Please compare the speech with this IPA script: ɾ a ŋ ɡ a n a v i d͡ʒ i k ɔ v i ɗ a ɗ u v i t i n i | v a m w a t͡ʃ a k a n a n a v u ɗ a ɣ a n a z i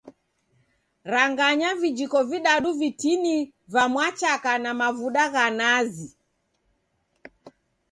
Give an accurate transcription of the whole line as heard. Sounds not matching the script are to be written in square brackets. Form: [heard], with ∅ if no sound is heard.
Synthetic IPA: ɾ a ŋ ɡ a [ɲ] a v i d͡ʒ i k ɔ v i ɗ a ɗ u v i t i n i | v a m w a t͡ʃ a k a n a [m] a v u ɗ a ɣ a n a z i